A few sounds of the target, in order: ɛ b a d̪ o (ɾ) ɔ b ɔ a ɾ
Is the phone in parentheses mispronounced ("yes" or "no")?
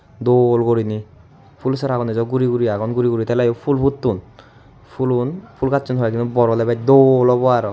yes